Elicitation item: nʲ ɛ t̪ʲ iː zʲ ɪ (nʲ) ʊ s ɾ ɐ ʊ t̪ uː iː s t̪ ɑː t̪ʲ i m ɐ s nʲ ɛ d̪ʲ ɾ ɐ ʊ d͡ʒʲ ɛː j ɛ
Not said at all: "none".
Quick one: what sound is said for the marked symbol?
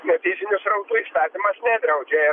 nʲ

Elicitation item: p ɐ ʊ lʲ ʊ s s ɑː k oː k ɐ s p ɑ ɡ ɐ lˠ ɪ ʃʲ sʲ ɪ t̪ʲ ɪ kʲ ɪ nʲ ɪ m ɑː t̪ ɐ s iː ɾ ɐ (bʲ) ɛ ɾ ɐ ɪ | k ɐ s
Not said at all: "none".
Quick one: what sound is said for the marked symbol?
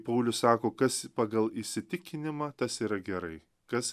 ɡʲ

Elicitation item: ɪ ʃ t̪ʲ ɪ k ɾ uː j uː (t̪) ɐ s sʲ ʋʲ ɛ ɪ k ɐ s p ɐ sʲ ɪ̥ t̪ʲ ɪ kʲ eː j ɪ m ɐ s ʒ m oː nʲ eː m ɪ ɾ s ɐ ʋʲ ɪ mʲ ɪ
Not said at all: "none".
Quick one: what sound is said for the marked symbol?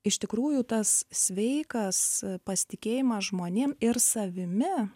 t̪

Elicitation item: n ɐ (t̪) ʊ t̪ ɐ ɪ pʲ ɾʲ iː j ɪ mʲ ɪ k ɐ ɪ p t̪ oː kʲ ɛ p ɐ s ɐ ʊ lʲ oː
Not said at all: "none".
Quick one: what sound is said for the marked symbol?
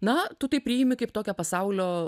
t̪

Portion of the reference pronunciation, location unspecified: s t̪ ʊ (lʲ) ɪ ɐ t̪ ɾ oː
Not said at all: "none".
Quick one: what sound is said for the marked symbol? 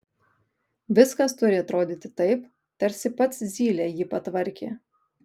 ɾʲ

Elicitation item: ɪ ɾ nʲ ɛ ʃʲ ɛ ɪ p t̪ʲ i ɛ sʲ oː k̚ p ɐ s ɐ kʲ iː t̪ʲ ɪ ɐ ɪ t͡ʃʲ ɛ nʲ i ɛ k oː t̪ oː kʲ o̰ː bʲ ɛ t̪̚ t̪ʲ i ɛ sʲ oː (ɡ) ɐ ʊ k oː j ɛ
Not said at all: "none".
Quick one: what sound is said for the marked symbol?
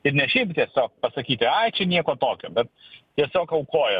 k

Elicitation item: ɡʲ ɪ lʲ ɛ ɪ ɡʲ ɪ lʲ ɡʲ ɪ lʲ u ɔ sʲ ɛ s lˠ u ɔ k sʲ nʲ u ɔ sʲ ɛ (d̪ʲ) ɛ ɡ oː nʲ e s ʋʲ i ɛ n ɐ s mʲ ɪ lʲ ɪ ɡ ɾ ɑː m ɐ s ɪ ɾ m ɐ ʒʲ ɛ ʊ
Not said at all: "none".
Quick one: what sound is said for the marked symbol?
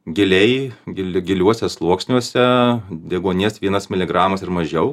d̪ʲ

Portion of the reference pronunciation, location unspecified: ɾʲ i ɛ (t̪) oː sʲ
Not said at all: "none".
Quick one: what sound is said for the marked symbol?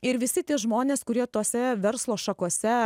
t̪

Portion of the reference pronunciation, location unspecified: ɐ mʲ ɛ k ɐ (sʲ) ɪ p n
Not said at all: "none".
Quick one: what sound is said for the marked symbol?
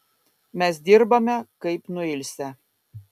none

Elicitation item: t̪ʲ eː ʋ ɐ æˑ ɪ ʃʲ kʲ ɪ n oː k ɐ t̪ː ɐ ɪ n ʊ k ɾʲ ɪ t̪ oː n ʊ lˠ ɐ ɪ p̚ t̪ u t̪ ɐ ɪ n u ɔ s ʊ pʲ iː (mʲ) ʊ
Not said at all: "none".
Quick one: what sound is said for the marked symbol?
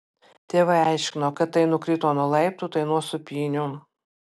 nʲ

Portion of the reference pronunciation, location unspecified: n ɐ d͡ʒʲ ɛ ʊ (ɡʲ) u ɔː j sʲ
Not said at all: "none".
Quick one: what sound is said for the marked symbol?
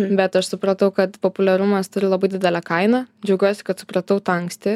ɡʲ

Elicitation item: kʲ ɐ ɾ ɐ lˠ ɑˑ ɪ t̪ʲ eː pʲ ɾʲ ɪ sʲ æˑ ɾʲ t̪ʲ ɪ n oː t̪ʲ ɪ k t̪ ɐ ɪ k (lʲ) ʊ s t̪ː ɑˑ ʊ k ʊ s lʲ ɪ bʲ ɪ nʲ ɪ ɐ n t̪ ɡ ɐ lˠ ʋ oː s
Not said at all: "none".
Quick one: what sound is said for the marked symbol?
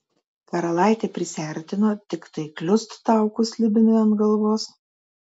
lʲ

